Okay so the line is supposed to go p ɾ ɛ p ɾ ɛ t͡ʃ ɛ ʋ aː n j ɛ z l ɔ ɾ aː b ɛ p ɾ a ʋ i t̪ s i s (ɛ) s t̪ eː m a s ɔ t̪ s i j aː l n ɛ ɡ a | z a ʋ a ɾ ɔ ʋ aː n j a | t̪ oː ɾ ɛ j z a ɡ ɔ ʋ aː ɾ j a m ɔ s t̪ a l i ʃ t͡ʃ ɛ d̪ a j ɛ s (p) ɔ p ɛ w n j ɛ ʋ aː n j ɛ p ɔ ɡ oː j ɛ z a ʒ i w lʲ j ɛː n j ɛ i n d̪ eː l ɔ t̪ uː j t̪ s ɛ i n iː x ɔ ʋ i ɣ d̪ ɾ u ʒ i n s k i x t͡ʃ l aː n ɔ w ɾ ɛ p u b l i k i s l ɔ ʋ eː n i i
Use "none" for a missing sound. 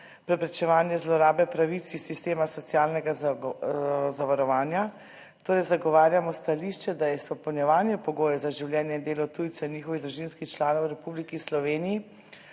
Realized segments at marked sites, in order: i, p

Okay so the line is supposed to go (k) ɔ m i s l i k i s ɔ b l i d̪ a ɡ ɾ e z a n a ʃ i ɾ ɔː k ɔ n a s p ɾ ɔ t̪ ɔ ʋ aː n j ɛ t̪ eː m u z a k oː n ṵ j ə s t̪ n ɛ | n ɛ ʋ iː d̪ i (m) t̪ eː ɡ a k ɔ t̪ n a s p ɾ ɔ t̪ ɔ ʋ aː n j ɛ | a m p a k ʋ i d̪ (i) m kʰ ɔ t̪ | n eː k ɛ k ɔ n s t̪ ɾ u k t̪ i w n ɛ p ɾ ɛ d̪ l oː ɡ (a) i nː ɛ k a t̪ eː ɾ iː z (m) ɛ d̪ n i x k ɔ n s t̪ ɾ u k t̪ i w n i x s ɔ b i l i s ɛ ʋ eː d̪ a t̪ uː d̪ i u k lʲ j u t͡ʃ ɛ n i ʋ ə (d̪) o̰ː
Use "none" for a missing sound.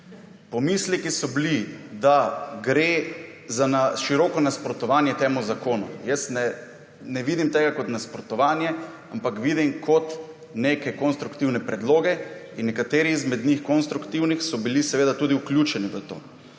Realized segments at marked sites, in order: p, m, i, ɛ, m, t̪

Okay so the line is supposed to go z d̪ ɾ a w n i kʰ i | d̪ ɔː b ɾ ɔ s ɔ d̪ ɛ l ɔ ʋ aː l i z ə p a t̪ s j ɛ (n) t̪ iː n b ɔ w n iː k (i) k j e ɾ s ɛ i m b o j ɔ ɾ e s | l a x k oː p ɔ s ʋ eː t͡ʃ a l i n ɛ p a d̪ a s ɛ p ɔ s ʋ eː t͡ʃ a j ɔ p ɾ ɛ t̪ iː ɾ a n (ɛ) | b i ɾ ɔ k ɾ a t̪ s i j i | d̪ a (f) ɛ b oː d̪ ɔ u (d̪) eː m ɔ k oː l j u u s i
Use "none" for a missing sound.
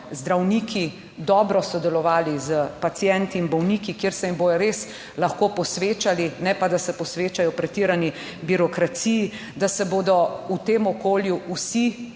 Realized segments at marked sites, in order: n, i, i, s, t̪

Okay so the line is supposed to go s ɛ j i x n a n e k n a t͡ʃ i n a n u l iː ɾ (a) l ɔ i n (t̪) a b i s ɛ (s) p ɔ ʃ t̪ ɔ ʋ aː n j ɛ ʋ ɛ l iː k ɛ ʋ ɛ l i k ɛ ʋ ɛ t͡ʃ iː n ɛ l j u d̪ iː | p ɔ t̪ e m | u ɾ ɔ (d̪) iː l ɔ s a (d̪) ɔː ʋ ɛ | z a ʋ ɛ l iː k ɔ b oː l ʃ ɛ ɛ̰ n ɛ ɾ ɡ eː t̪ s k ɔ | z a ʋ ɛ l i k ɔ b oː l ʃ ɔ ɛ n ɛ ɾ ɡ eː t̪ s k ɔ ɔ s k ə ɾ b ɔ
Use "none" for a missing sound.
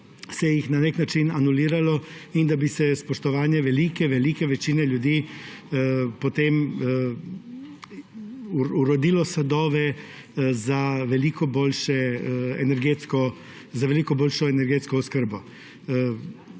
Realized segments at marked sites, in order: a, d̪, s, d̪, d̪

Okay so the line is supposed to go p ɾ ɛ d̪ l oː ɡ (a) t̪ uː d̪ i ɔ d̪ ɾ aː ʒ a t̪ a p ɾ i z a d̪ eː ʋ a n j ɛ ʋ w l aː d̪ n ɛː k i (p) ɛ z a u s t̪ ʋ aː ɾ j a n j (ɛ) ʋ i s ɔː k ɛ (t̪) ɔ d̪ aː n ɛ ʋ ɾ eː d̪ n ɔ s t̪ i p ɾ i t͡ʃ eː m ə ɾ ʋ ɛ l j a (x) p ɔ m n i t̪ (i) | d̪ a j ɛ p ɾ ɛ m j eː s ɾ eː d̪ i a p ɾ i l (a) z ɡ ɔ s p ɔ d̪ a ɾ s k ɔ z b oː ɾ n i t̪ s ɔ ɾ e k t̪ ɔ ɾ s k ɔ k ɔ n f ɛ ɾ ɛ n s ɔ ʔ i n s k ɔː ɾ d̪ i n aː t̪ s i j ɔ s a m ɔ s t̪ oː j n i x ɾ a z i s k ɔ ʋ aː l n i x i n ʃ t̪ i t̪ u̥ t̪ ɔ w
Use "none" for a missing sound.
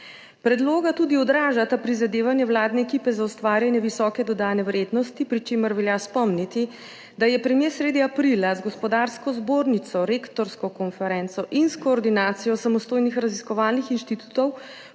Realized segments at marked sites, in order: a, p, ɛ, d̪, s, i, a

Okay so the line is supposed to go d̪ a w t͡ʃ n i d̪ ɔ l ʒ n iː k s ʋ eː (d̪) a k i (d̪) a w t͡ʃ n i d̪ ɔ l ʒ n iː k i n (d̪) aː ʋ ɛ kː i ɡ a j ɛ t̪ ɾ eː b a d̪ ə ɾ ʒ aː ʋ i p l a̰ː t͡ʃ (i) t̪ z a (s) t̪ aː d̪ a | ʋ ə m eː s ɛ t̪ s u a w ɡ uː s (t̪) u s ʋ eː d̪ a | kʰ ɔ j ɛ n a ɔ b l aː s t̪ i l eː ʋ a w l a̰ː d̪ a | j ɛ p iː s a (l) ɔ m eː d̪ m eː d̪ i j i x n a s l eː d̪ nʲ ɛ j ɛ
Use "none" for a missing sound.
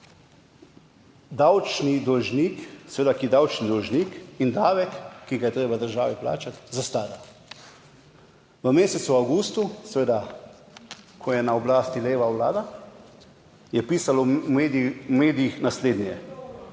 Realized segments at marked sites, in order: d̪, d̪, d̪, a, s, t̪, l

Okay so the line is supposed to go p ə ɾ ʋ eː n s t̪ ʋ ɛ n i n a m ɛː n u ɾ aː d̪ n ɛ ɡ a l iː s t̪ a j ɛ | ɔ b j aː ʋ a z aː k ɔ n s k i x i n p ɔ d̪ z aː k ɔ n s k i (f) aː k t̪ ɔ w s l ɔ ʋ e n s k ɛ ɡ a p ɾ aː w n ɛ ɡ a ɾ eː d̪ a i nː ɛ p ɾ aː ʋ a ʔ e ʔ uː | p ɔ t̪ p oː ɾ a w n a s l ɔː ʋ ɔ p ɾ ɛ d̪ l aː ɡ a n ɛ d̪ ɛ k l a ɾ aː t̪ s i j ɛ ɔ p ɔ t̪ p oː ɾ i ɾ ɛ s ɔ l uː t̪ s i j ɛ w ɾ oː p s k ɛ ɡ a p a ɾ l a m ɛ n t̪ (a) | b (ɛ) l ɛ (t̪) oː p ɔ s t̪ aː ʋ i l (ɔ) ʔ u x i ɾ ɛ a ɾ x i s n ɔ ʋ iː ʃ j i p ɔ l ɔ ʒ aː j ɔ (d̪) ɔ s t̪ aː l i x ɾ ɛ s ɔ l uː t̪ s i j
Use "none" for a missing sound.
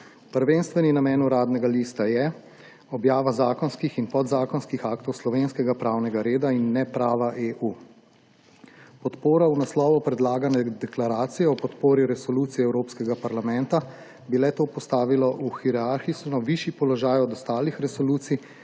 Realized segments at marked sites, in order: x, a, i, t̪, ɔ, d̪

